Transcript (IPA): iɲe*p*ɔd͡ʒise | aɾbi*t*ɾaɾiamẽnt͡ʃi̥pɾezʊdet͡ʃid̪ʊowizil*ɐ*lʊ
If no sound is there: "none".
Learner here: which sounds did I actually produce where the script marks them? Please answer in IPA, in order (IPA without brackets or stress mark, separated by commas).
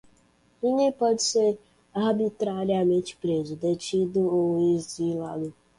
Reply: p, t, a